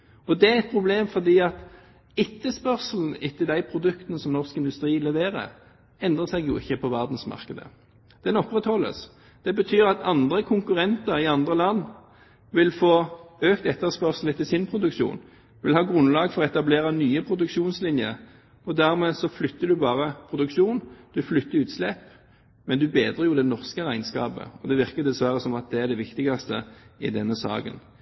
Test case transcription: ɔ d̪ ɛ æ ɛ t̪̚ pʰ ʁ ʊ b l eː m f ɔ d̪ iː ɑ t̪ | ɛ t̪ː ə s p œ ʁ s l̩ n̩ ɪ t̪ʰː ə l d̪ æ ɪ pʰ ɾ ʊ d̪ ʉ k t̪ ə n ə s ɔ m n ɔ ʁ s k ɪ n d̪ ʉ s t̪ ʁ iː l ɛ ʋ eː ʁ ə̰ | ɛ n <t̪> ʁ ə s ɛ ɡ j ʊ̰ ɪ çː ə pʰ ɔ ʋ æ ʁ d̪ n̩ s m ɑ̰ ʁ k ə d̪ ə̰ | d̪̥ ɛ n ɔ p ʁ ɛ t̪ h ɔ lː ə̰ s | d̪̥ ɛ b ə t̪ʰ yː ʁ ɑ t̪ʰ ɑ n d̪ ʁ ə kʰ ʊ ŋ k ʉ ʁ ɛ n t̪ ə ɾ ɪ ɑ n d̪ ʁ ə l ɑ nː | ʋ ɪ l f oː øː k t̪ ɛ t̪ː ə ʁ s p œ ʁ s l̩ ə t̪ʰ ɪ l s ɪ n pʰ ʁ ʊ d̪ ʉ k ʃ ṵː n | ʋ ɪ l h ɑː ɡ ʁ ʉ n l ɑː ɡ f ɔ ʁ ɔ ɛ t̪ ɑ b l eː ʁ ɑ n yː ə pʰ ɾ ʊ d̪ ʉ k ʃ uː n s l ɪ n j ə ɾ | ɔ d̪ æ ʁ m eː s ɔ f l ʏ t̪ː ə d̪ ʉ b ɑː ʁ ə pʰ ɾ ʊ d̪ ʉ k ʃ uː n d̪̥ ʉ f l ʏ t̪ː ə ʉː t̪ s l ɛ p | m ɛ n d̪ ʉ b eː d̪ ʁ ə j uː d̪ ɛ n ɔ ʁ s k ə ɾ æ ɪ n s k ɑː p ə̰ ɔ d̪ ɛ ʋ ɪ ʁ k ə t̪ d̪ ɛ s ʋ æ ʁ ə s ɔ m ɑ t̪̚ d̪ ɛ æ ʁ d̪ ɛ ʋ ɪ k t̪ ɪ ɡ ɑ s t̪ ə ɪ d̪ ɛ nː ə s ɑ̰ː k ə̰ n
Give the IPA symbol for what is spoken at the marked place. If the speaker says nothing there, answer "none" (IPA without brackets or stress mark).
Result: d̪